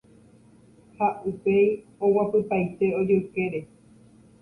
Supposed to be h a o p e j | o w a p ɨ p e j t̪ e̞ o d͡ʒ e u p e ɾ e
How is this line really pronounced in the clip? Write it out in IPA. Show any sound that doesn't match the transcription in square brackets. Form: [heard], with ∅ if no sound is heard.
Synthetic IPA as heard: h a [u] p e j | o w a p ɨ p [a] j t̪ e̞ o d͡ʒ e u [k] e ɾ e